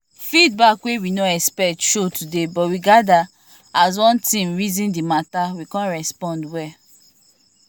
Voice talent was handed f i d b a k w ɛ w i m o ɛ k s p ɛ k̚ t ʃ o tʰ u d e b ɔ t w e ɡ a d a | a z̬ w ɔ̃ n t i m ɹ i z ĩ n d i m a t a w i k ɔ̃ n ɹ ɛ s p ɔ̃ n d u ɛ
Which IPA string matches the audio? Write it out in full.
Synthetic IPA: f i d b a k w e w i n o ɛ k s p ɛ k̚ t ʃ o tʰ u d e b ɔ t w i ɡ a d a | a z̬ w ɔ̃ n t ĩ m ɹ i z ĩ n d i m a t a w i k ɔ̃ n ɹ ɛ s p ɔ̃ n d w ɛ